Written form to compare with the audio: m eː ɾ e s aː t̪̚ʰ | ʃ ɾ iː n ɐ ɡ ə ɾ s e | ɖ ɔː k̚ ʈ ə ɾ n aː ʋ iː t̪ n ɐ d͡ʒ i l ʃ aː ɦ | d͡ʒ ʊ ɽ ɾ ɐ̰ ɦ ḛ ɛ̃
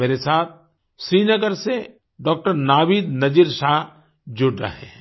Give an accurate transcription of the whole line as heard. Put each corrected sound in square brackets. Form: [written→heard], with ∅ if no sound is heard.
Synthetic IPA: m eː ɾ e s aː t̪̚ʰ | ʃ ɾ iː n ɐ ɡ ə ɾ s e | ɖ ɔː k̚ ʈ ə ɾ n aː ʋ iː [t̪→d̪] n ɐ d͡ʒ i [l→ɾ] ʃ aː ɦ | d͡ʒ ʊ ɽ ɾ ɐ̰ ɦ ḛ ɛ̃